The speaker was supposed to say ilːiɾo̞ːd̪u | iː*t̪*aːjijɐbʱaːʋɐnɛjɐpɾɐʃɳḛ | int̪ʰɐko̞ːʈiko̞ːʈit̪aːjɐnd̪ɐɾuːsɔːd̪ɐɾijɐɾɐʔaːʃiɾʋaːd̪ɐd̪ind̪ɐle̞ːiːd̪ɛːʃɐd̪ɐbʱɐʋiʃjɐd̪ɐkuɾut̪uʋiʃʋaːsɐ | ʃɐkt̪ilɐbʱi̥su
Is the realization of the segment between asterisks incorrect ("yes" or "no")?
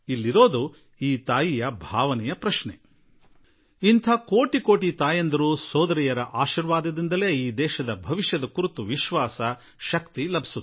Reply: no